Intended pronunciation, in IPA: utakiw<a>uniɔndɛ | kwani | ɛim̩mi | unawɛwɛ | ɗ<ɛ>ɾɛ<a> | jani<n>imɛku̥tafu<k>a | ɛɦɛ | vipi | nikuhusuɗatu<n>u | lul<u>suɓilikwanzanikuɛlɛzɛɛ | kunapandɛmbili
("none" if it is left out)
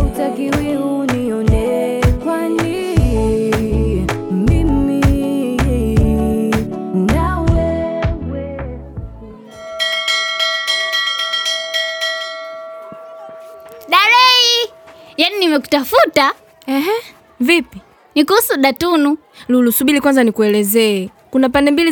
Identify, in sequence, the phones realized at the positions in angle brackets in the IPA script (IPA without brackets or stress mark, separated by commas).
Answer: i, a, i, n, t, n, u